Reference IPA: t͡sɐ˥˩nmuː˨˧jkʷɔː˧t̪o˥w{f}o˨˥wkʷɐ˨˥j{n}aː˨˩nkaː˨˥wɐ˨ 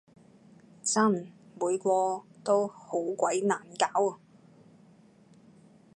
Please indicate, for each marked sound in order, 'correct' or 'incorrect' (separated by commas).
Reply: incorrect, correct